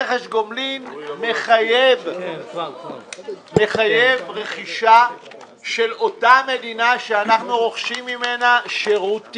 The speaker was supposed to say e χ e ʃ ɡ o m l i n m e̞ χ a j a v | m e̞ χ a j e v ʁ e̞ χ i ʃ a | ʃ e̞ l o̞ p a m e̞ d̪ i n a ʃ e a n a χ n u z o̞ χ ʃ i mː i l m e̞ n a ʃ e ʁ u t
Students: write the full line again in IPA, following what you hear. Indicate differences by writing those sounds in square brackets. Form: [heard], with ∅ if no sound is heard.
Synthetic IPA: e χ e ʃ ɡ o m l i n m e̞ χ a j [e] v | m e̞ χ a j e v ʁ e̞ χ i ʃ a | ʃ e̞ l o̞ [t] a m e̞ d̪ i n a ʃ e a n a χ n u [ʁ] o̞ χ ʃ i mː i [∅] m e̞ n a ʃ e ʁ u t